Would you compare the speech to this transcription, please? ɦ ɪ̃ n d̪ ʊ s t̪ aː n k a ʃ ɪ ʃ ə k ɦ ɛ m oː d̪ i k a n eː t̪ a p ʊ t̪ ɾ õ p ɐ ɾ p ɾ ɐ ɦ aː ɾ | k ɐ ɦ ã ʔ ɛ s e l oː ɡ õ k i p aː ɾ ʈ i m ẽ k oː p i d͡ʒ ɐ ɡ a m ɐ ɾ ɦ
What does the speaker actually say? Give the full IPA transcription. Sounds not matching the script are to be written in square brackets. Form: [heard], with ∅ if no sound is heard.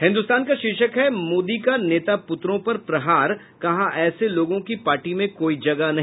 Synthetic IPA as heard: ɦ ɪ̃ n d̪ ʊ s t̪ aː n k a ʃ ɪ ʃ ə k ɦ ɛ m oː d̪ i k a n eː t̪ a p ʊ t̪ ɾ õ p ɐ ɾ p ɾ ɐ ɦ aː ɾ | k ɐ ɦ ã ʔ [ɛː] s e l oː ɡ õ k i p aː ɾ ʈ i m ẽ k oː [∅] i d͡ʒ ɐ ɡ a [n] ɐ [∅] ɦ